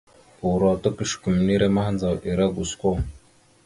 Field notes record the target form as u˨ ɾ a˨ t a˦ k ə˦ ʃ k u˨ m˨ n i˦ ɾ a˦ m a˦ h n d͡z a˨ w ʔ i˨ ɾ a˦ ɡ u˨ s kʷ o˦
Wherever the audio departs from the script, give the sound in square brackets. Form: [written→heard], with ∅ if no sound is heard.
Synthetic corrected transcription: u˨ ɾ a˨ t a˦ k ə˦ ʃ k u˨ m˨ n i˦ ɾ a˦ m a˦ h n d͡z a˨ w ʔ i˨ ɾ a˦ ɡ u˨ s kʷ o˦